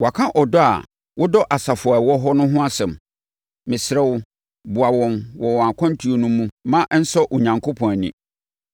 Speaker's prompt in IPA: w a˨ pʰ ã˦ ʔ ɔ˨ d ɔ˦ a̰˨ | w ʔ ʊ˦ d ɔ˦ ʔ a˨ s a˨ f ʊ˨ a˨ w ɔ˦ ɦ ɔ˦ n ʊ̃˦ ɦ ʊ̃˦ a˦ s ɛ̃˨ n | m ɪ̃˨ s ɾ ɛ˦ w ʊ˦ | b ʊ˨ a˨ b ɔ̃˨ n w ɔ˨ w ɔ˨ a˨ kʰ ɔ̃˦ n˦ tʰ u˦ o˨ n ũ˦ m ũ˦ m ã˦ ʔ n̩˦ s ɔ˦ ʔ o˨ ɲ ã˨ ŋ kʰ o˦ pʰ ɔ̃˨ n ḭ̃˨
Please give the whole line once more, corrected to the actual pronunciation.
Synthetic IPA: w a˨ kʰ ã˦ ʔ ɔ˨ d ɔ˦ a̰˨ | w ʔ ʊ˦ d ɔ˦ ʔ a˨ s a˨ f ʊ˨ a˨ w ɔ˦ ɦ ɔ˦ n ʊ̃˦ ɦ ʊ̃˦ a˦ s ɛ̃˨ m | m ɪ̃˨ s ɾ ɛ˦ w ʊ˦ | b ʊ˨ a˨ w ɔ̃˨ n w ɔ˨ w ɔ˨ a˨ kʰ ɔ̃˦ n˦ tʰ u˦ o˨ n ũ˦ m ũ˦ m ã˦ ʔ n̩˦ s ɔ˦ ʔ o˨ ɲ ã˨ ŋ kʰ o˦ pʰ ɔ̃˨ n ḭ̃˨